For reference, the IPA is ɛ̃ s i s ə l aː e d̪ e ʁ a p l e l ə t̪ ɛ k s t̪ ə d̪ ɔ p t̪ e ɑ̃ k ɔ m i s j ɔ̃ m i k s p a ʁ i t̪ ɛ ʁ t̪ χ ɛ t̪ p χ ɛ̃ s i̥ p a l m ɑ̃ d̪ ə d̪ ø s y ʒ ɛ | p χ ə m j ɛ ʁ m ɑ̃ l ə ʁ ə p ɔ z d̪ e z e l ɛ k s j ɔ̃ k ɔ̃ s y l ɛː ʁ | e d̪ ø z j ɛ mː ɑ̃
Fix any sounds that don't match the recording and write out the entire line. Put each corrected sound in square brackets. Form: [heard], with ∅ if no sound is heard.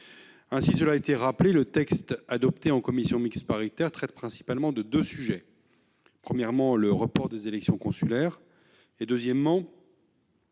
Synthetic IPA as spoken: ɛ̃ s i s ə l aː e [t̪] e ʁ a p l e l ə t̪ ɛ k s t̪ [a] d̪ ɔ p t̪ e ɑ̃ k ɔ m i s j ɔ̃ m i k s p a ʁ i t̪ ɛ ʁ t̪ χ ɛ t̪ p χ ɛ̃ s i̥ p a l m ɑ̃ d̪ ə d̪ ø s y ʒ ɛ | p χ ə m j ɛ ʁ m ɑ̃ l ə ʁ ə p ɔ [ʁ] d̪ e z e l ɛ k s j ɔ̃ k ɔ̃ s y l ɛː ʁ | e d̪ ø z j ɛ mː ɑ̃